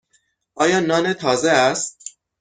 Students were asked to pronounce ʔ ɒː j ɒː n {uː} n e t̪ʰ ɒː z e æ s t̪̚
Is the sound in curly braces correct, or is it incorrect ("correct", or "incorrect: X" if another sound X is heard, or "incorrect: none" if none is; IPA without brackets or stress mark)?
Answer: incorrect: ɒː